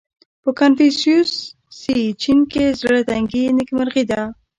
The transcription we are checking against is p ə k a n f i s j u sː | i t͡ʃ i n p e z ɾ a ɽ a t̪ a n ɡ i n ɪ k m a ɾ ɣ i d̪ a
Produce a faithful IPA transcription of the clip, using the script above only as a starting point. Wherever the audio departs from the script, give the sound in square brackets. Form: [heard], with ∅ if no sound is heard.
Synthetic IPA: p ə k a n f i s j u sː | i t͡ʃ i n [k] e z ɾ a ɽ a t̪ a [ŋ] ɡ i n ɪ k m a ɾ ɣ i d̪ a